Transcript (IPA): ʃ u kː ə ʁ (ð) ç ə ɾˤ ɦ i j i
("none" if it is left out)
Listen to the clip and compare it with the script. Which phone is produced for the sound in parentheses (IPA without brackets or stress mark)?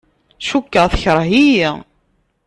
θ